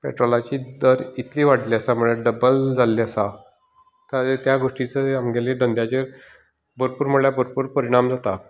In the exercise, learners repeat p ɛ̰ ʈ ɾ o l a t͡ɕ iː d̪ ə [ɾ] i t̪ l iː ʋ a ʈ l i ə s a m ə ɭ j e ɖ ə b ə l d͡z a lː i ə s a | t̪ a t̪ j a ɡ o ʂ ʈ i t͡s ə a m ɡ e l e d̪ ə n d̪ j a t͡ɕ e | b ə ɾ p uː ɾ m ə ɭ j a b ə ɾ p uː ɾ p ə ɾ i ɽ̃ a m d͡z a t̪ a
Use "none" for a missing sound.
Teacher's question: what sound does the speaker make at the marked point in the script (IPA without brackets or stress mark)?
ɾ